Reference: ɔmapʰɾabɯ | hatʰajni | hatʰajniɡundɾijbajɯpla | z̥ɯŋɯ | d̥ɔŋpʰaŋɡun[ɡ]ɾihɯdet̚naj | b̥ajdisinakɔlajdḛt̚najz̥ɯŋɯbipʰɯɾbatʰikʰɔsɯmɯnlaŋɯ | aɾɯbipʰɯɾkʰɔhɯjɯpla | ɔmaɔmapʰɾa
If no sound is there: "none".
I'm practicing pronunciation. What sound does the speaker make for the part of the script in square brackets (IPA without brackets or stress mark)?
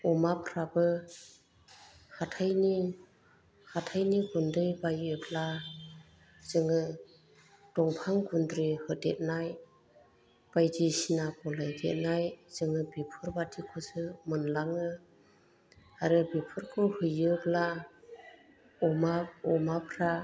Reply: d